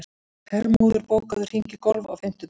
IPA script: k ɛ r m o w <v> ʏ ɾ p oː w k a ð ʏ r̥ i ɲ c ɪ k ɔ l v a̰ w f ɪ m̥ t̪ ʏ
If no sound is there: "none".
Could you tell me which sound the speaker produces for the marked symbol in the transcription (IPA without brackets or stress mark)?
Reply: ð